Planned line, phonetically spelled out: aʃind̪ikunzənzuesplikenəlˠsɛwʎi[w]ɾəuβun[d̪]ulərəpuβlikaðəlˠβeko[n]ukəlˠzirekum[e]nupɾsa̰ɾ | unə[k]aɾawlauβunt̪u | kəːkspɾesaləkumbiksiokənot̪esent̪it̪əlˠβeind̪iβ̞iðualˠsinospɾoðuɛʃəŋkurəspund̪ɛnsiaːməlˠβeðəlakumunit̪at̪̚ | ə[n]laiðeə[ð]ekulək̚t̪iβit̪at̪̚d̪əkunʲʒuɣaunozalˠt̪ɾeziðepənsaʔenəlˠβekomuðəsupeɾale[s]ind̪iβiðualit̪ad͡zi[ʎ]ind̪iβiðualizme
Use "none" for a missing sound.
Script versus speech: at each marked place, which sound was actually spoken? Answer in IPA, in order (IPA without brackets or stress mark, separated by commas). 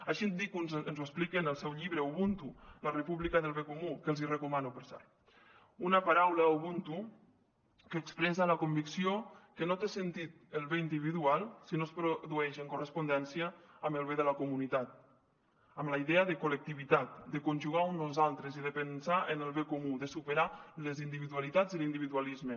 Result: β, t̪, m, a, p, m, ð, z, l